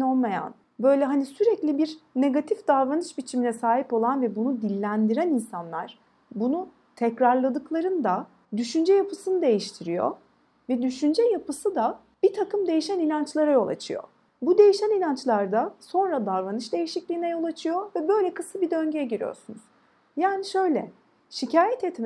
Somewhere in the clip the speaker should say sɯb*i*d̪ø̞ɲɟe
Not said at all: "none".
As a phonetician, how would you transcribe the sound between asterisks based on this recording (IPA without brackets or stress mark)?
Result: i